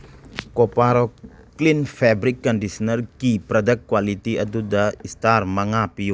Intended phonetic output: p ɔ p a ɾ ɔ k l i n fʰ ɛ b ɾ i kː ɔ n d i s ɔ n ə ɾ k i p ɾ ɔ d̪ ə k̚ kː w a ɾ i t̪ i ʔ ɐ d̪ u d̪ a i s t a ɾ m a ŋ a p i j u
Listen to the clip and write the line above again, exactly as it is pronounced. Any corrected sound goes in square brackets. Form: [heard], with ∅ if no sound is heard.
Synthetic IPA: [k] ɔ p a ɾ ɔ k l i n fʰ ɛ b ɾ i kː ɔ n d i s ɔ n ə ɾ k i p ɾ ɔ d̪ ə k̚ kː w a [l] i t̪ i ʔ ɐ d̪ u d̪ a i s t a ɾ m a ŋ a p i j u

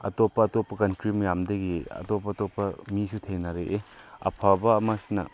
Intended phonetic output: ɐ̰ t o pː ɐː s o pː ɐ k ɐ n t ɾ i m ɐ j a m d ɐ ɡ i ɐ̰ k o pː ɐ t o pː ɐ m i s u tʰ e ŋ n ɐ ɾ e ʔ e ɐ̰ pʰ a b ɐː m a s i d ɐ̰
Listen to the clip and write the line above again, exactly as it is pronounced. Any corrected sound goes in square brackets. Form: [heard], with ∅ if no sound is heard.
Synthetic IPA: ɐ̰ t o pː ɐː [t] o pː ɐ k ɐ n t ɾ i m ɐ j a m d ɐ ɡ i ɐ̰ [t] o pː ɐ t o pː ɐ m i s u tʰ e ŋ n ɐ ɾ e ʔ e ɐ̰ pʰ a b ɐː m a s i [n] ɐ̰

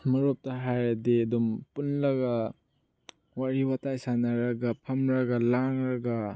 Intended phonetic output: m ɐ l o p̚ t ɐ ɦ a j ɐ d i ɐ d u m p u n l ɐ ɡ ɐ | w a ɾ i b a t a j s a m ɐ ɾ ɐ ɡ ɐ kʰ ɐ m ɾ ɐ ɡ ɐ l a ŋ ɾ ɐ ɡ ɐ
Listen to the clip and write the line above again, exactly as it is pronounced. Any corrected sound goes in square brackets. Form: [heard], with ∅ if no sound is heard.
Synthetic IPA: m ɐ [ɾ] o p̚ t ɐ ɦ a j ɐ d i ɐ d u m p u n l ɐ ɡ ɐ | w a ɾ i [w] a t a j s a [n] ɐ ɾ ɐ ɡ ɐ [pʰ] ɐ m ɾ ɐ ɡ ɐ l a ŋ ɾ ɐ ɡ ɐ

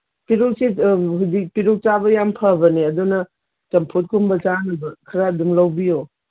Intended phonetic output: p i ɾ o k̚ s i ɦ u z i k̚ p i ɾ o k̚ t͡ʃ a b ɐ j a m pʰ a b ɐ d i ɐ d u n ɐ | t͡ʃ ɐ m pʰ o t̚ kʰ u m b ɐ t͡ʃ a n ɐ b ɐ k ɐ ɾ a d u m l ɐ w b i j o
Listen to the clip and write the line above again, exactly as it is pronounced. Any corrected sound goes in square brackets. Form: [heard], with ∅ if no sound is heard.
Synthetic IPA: p i ɾ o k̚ s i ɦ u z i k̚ p i ɾ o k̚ t͡ʃ a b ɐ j a m pʰ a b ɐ [n] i ɐ d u n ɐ | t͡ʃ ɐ m pʰ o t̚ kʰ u m b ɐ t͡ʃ a n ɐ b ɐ [kʰ] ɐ ɾ a d u m l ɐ w b i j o

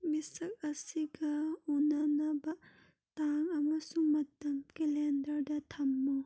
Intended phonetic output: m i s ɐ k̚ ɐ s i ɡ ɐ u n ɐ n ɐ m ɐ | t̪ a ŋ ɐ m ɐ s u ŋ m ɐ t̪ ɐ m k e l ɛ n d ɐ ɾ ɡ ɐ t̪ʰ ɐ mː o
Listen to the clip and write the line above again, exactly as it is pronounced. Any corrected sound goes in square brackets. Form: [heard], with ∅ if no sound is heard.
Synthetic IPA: m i s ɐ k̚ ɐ s i ɡ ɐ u n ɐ n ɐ [b] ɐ | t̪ a ŋ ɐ m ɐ s u ŋ m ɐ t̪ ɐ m k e l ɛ n d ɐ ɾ [d] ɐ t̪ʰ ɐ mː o

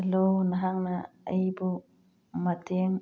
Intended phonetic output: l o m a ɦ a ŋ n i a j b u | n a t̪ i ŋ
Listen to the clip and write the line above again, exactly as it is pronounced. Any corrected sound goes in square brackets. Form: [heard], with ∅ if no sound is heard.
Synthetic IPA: l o [n] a ɦ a ŋ n [a] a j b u | [m] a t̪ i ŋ

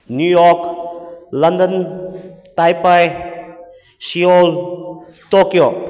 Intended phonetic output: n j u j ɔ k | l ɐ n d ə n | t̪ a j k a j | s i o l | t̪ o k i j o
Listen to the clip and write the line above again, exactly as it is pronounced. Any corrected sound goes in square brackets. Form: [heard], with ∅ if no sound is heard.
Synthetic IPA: n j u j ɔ k | l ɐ n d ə n | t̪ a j [p] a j | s i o l | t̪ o k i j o

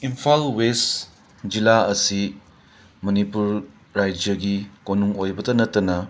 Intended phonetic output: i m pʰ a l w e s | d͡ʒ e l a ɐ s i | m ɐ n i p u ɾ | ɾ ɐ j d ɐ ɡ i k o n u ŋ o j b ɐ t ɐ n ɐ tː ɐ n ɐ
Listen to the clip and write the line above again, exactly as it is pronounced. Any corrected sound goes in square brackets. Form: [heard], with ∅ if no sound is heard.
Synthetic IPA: i m pʰ a l w e s | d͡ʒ [i] l a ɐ s i | m ɐ n i p u ɾ | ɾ [a] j [d͡ʒ] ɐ ɡ i k o n u ŋ o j b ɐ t ɐ n ɐ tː ɐ n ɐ

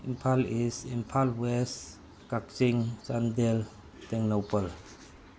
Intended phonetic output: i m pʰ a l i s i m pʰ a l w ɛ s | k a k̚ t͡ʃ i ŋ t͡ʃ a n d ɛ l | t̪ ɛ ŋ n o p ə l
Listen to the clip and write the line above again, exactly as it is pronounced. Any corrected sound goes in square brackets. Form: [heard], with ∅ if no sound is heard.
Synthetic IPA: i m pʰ a l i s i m pʰ a l w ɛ s | k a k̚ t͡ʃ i ŋ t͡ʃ a n d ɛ l | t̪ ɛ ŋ n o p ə l

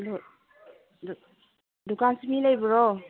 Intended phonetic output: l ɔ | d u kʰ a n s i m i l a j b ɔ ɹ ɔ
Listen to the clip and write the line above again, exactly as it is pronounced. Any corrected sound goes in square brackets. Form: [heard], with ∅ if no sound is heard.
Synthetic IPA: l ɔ | d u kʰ a n s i m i l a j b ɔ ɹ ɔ

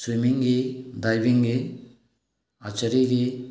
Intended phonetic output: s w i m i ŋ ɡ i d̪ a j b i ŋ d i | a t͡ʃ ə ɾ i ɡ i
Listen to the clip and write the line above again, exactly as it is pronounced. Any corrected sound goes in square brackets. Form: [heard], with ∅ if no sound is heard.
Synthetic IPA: s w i m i ŋ ɡ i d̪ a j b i ŋ [ɡ] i | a t͡ʃ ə ɾ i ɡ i

